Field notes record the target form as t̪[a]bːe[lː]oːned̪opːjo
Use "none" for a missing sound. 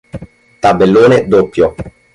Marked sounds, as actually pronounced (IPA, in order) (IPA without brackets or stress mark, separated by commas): a, lː